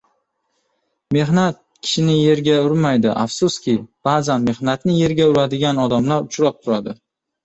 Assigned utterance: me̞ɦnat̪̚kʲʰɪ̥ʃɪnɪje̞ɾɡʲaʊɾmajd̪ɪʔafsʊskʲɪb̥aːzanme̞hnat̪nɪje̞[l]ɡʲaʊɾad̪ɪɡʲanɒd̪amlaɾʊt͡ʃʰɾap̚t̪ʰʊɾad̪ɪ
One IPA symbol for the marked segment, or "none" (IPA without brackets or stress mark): ɾ